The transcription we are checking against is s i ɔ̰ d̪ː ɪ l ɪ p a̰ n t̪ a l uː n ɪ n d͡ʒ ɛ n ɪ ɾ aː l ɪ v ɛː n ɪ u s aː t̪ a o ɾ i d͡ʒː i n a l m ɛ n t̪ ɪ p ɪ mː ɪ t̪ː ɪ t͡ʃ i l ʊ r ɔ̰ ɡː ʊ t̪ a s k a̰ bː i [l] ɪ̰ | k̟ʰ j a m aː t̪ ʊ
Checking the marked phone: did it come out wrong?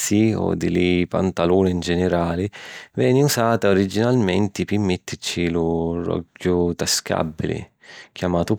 no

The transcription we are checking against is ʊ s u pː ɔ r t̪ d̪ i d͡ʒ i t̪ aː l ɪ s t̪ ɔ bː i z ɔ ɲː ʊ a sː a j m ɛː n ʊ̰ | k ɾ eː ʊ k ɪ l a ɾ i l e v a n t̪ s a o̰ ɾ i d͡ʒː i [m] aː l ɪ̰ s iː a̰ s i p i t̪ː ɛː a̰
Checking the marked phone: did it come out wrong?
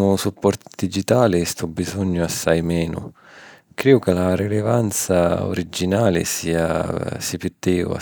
yes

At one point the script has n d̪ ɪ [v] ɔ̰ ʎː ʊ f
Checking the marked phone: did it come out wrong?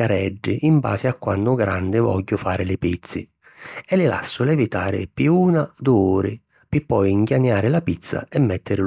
no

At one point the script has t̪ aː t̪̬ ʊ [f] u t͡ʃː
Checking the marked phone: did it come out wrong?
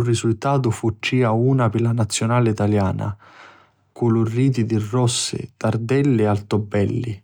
no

